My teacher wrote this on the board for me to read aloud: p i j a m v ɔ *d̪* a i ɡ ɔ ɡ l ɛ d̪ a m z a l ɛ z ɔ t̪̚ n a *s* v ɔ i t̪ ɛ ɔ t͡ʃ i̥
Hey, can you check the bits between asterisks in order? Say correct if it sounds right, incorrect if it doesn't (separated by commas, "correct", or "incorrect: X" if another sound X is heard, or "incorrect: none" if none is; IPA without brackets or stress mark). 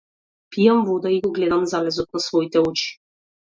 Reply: correct, correct